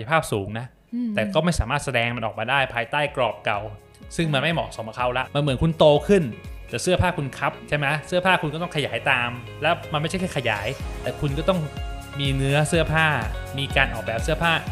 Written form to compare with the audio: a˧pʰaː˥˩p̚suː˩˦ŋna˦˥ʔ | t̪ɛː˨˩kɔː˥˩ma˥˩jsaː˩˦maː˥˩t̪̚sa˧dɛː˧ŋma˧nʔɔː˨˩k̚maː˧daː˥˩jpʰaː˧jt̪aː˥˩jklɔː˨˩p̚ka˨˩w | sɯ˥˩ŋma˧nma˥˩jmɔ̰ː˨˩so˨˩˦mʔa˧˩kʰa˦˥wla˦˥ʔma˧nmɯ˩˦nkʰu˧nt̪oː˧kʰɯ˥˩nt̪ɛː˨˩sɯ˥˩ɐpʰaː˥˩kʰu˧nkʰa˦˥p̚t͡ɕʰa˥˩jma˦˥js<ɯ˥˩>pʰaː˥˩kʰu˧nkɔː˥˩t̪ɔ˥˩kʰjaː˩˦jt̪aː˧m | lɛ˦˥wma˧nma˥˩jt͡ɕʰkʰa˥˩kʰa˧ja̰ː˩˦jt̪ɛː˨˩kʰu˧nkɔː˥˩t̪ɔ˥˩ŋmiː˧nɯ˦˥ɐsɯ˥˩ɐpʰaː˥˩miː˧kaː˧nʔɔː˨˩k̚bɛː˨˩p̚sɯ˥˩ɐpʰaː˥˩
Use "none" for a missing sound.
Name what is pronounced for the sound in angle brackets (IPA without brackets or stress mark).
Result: ɯ˥˩